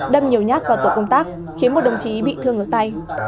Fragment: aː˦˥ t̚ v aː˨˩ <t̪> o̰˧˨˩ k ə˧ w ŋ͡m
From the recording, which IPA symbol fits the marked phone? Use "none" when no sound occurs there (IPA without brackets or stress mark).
t̪